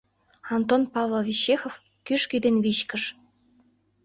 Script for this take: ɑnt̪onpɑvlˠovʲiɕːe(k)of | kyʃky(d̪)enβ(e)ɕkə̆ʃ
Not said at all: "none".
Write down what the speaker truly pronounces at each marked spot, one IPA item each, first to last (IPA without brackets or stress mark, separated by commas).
x, d̪, i